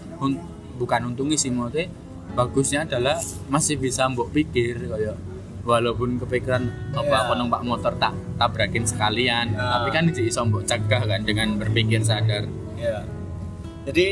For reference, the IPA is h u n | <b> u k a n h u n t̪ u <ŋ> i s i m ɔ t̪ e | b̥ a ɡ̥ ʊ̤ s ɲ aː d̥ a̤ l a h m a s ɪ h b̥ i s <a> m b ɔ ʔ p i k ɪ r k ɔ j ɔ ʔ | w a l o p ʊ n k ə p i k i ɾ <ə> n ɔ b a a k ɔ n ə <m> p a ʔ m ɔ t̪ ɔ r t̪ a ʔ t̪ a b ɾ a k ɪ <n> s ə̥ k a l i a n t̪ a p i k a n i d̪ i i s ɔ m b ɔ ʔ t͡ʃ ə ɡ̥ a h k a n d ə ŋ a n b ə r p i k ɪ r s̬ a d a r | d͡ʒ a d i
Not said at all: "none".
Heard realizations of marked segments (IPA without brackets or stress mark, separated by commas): b, ŋ, a, a, ŋ, n